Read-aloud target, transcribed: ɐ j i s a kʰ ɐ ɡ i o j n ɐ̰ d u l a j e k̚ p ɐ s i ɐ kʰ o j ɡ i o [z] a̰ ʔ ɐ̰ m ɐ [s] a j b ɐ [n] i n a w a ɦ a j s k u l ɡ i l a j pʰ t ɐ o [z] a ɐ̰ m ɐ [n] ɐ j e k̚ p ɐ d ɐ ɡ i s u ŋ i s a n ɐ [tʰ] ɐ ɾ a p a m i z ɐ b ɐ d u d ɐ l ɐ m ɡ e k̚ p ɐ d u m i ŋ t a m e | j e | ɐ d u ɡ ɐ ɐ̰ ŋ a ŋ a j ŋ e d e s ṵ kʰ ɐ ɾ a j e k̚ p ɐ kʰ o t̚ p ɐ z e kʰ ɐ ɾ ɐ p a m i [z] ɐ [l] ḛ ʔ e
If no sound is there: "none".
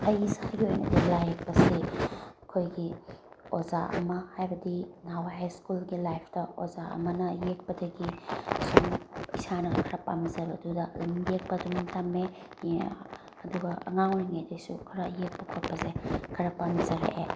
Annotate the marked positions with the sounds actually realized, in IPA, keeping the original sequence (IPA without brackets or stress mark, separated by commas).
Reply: z, h, d, z, n, kʰ, z, ɾ